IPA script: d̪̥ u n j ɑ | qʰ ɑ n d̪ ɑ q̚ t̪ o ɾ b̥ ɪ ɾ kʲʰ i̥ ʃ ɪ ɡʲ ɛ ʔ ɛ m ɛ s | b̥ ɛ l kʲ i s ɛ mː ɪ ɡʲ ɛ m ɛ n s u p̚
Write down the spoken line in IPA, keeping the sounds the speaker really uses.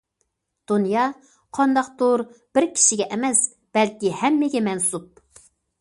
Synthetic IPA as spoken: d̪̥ u n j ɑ | qʰ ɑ n d̪ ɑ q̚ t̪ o ɾ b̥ ɪ ɾ kʲʰ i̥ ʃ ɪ ɡʲ ɛ ʔ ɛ m ɛ s | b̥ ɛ l kʲ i h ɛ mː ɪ ɡʲ ɛ m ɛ n s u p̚

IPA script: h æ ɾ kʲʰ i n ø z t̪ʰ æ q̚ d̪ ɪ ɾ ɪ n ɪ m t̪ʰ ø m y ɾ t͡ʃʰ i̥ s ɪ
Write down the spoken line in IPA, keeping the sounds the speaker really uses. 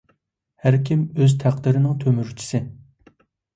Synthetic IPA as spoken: h æ ɾ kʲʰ i m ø z t̪ʰ æ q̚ d̪ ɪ ɾ ɪ n ɪ ŋ t̪ʰ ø m y ɾ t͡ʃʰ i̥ s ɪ

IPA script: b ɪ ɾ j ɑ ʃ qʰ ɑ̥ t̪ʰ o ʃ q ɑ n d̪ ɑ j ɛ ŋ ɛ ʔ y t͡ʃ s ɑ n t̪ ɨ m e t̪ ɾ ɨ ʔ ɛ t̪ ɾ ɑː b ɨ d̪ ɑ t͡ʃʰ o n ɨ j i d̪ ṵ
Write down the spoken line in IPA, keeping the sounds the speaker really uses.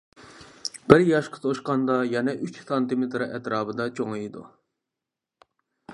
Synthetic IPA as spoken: b ɪ ɾ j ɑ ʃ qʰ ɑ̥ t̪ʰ o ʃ q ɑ n d̪ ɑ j ɛ n ɛ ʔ y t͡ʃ s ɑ n t̪ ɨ m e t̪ ɾ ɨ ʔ ɛ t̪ ɾ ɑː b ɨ d̪ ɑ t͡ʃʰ o ŋ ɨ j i d̪ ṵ

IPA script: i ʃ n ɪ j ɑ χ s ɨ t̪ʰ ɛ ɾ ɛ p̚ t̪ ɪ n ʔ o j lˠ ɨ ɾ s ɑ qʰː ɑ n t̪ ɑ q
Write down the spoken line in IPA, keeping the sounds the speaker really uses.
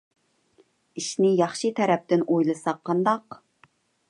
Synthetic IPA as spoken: i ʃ n ɪ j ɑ χ ʃ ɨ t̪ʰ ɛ ɾ ɛ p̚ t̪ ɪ n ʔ o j lˠ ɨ s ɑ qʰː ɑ n d̪ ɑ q

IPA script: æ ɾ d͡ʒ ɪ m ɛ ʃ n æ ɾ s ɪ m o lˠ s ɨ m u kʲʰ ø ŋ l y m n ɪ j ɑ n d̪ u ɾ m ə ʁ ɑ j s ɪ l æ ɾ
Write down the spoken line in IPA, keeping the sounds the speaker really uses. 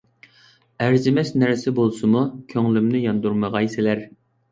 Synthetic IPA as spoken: æ ɾ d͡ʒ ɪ m ɛ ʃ n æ ɾ s ɪ b o lˠ s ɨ m u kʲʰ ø ŋ l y m n ɪ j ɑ n d̪ u ɾ m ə ʁ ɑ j s ɪ l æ ɾ

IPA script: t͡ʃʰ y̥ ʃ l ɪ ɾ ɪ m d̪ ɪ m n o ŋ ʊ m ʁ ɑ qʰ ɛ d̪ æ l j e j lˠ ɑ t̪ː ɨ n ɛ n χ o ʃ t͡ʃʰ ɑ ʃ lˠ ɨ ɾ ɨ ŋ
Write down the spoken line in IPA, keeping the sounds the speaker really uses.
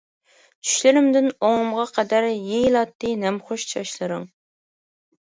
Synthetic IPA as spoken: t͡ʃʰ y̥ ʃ l ɪ ɾ ɪ m d̪ ɪ n o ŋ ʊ m ʁ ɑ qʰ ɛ d̪ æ ɾ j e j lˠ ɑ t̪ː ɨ n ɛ m χ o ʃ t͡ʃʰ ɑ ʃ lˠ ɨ ɾ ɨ ŋ

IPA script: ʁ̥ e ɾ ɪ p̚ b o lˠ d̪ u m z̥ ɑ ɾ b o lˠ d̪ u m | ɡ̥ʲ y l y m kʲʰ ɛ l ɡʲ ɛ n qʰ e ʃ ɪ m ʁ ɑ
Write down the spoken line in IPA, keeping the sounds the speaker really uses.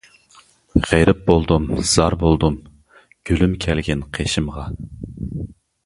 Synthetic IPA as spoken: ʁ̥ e ɾ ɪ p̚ b o lˠ d̪ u m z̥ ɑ ɾ b o lˠ d̪ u m | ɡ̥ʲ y l y m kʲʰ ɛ l ɡʲ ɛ n qʰ e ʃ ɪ m ʁ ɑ

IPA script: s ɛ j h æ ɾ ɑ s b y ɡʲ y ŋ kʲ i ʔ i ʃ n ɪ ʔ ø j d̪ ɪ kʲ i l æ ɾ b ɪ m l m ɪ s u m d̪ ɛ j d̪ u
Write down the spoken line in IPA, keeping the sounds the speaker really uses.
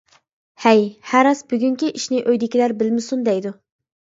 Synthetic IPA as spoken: h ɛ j h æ ɾ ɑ s b y ɡʲ y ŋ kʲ i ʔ i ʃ n ɪ ʔ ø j d̪ ɪ kʲ i l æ ɾ b ɪ l m ɪ s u n d̪ ɛ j d̪ u

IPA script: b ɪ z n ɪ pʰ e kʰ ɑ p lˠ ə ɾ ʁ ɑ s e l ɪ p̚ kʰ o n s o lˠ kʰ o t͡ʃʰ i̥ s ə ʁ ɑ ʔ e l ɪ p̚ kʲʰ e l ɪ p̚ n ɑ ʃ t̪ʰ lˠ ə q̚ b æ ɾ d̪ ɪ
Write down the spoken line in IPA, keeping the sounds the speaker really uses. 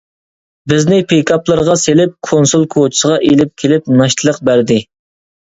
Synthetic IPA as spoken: b ɪ z n ɪ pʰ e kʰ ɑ p lˠ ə ɾ ʁ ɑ s e l ɪ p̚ kʰ o n s u lˠ kʰ o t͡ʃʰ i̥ s ə ʁ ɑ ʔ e l ɪ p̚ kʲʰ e l ɪ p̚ n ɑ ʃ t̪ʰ lˠ ə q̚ b æ ɾ d̪ ɪ

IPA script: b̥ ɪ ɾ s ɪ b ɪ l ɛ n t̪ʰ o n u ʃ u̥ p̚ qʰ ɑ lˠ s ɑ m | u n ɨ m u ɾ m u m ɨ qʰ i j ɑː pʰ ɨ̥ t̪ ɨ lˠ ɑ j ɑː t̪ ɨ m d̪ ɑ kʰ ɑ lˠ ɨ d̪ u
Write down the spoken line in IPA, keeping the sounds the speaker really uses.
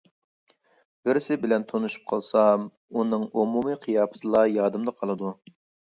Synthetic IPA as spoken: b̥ ɪ ɾ s ɪ b ɪ l ɛ n t̪ʰ o n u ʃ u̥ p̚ qʰ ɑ lˠ s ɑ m | u n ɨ ŋ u m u m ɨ qʰ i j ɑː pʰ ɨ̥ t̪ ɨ lˠ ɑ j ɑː d̪ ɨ m d̪ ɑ qʰ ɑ lˠ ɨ d̪ u

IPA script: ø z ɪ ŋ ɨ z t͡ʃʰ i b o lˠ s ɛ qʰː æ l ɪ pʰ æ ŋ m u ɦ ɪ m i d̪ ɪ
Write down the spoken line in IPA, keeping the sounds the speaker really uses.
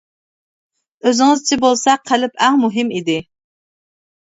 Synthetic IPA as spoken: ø z ɪ ŋ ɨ z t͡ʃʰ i b o lˠ s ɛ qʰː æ l ɪ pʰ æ ŋ m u ɦ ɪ m i d̪ ɪ

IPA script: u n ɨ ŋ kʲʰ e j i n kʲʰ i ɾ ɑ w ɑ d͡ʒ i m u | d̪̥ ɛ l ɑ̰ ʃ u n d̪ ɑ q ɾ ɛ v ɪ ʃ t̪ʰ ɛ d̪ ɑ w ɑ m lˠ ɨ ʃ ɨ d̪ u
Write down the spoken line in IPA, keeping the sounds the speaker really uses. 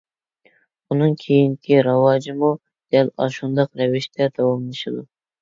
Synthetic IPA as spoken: u n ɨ ŋ kʲʰ e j i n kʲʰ i ɾ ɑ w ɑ d͡ʒ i m u | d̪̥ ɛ l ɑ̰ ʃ u n d̪ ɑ q ɾ ɛ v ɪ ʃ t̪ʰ ɛ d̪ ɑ w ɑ m lˠ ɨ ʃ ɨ d̪ u

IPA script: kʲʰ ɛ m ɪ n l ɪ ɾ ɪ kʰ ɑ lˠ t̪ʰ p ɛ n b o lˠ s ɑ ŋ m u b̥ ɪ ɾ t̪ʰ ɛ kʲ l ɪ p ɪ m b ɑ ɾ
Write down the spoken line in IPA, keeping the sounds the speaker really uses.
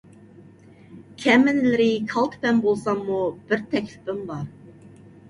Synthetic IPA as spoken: kʲʰ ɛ m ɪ n l ɪ ɾ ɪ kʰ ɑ lˠ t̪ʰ p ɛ n b o lˠ s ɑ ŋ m u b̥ ɪ ɾ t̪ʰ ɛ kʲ l ɪ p ɪ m b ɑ ɾ

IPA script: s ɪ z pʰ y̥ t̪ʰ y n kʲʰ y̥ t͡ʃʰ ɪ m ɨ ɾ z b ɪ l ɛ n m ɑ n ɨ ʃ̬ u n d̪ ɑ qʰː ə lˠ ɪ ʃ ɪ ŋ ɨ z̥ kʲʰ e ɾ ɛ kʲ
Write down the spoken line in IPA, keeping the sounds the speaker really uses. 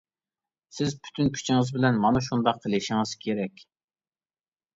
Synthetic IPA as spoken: s ɪ z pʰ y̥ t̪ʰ y n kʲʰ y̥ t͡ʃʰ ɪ ŋ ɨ z b ɪ l ɛ n m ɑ n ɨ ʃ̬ u n d̪ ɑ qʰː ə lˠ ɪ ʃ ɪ ŋ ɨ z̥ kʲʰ e ɾ ɛ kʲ

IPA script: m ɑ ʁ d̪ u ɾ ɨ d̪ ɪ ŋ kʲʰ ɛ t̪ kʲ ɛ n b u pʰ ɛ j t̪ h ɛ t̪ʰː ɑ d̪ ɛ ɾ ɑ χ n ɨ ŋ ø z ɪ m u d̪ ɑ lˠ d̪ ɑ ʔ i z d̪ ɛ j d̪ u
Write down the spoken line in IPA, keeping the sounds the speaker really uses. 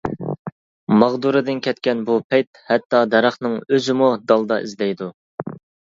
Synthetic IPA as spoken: m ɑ ʁ d̪ u ɾ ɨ d̪ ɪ n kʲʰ ɛ t̪ kʲ ɛ n b u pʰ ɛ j t̪ h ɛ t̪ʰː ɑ d̪ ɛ ɾ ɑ χ n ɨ ŋ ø z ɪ m u d̪ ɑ lˠ d̪ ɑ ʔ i z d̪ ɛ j d̪ u

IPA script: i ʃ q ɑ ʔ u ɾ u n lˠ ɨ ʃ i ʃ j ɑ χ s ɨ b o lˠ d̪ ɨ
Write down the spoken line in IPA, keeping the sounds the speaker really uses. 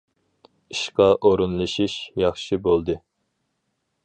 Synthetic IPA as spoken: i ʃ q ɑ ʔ o ɾ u n lˠ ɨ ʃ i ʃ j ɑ χ ʃ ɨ b o lˠ d̪ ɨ

